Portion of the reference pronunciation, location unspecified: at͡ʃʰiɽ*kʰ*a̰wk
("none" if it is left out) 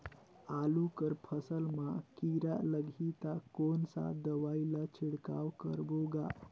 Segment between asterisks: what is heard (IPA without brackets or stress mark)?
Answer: k